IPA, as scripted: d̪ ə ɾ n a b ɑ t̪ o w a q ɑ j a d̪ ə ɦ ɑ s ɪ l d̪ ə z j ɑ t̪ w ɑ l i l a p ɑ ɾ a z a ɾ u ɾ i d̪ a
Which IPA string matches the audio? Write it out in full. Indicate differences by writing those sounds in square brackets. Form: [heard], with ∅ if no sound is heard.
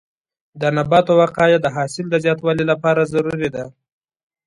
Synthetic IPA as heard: d̪ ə [∅] n a b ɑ t̪ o w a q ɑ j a d̪ ə ɦ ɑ s ɪ l d̪ ə z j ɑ t̪ w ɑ l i l a p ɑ ɾ a z a ɾ u ɾ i d̪ a